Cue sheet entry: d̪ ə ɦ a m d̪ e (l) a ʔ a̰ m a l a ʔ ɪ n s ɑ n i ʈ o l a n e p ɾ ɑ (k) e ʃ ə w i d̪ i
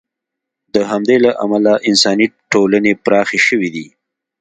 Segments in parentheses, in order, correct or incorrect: correct, incorrect

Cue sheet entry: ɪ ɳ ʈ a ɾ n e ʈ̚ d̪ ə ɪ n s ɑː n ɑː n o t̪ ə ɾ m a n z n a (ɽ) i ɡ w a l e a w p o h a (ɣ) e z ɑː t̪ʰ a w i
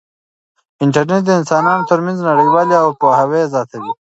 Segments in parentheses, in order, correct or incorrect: correct, incorrect

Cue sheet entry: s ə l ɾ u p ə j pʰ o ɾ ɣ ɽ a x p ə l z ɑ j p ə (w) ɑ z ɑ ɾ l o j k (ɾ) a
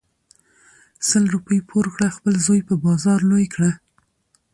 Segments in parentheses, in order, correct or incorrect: incorrect, incorrect

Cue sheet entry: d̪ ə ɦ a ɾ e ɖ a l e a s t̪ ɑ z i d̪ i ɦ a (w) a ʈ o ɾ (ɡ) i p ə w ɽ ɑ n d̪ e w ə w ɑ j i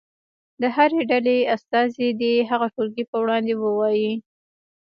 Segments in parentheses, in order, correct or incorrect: incorrect, correct

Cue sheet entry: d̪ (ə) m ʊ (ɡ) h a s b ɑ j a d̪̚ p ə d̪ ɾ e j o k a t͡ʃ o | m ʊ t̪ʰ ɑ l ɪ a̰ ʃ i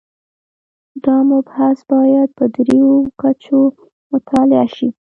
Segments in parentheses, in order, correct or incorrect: incorrect, incorrect

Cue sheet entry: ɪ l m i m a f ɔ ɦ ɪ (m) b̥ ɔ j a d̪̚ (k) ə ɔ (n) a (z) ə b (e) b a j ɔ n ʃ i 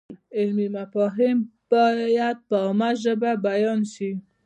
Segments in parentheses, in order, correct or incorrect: correct, incorrect, incorrect, incorrect, incorrect

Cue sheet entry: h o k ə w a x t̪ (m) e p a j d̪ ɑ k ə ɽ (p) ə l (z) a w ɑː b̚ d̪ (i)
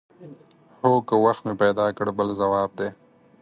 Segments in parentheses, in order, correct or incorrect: correct, incorrect, correct, incorrect

